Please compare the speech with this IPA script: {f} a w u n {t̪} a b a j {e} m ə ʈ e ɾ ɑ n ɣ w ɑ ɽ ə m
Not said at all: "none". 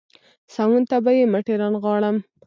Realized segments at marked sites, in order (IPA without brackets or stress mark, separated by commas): s, t̪, e